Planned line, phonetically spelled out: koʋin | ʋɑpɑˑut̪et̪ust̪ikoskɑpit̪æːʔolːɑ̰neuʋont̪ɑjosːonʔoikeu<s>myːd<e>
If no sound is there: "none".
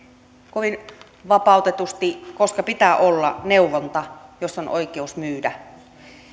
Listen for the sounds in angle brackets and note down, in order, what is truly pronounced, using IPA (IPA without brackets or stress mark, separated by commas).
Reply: s, æ